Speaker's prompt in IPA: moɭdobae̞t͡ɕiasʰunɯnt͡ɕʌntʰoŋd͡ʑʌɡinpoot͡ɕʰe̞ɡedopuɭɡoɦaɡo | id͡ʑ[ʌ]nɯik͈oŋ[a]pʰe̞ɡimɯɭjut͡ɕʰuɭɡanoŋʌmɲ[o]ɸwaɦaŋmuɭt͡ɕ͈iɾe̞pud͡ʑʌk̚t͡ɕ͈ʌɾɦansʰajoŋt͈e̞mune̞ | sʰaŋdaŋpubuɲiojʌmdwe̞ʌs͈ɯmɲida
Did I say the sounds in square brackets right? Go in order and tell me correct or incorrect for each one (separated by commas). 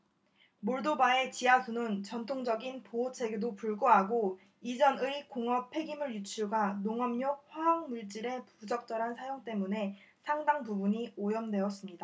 correct, incorrect, correct